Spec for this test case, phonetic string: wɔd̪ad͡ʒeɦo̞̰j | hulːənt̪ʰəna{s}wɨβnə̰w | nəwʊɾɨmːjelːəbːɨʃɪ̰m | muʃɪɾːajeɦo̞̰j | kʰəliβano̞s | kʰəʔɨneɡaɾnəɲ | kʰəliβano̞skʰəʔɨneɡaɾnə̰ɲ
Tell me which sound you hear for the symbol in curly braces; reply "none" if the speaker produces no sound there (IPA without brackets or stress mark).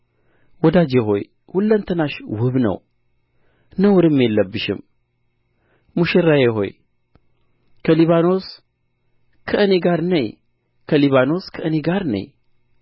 ʃ